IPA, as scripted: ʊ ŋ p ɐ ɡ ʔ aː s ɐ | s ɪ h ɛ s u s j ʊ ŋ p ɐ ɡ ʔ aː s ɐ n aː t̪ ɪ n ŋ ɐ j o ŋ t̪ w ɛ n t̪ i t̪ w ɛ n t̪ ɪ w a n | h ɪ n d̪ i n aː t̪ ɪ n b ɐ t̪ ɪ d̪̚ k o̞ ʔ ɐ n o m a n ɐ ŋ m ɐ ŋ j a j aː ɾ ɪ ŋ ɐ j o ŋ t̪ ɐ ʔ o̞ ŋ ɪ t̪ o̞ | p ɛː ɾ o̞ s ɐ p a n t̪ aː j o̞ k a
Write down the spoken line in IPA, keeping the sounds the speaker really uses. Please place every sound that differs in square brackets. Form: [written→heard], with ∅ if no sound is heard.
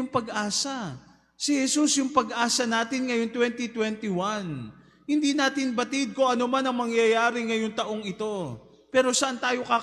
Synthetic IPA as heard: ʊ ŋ p ɐ ɡ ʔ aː s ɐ | s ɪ h ɛ s u s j ʊ ŋ p ɐ ɡ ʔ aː s ɐ n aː t̪ ɪ n ŋ ɐ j o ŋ t̪ w ɛ n t̪ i t̪ w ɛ n t̪ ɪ w a n | h ɪ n d̪ i n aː t̪ ɪ n b ɐ t̪ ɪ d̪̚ k o̞ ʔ ɐ n o m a n ɐ ŋ m ɐ ŋ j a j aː ɾ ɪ ŋ ɐ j o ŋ t̪ ɐ ʔ o̞ ŋ ɪ t̪ o̞ | p ɛː ɾ o̞ s ɐ [p→ʔ] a n t̪ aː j o̞ k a